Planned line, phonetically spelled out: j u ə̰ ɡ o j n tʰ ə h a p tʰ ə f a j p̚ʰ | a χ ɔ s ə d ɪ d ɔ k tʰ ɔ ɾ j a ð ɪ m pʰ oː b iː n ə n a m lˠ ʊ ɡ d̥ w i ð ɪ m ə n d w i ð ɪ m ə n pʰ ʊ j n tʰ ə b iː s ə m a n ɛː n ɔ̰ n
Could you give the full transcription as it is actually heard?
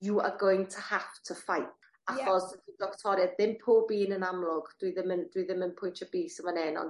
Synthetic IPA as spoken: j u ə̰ ɡ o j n tʰ ə h a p tʰ ə f a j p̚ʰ | a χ ɔ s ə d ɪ d ɔ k tʰ ɔ ɾ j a ð ɪ m pʰ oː b iː n ə n a m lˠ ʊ ɡ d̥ w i ð ɪ m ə n d w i ð ɪ m ə n pʰ ʊ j n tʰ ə b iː s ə m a n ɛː n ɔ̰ n